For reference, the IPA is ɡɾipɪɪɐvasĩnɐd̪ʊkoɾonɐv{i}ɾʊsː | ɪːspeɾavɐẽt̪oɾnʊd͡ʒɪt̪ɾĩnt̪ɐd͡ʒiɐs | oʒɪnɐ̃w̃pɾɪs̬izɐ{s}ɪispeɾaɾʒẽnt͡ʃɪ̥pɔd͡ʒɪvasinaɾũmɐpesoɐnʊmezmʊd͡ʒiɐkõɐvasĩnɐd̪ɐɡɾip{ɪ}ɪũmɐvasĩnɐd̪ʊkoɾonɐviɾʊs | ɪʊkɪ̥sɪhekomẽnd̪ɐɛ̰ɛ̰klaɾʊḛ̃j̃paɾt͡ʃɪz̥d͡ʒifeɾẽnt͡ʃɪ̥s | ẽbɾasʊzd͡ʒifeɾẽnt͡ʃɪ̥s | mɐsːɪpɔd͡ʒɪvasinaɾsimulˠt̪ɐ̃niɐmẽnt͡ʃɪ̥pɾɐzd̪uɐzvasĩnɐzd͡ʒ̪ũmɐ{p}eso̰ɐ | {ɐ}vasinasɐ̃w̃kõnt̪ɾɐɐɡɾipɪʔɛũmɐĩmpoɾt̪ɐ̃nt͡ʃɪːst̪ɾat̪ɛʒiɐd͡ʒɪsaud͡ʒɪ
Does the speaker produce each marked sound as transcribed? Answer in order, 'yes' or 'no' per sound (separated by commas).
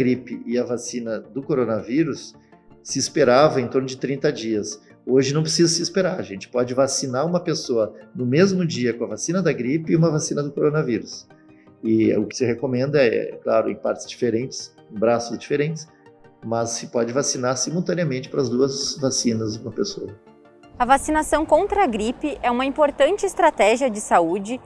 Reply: yes, yes, yes, yes, yes